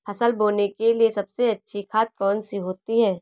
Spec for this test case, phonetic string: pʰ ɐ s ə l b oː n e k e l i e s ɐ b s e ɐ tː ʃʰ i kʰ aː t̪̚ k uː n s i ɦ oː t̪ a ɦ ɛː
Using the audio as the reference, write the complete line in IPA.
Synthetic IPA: pʰ ɐ s ə l b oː n e k e l i e s ɐ b s e ɐ tː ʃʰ i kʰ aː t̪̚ k ɔː n s i ɦ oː t̪ i ɦ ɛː